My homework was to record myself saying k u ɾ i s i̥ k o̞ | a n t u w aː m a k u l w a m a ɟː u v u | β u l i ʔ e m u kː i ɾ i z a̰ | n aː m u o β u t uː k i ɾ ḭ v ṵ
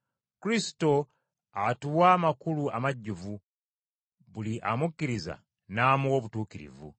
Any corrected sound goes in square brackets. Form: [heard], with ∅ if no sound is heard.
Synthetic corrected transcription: k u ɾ i s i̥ [t] o̞ | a [∅] t u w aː m a k u l [u] a m a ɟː u v u | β u l i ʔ [a] m u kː i ɾ i z a̰ | n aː m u o β u t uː k i ɾ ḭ v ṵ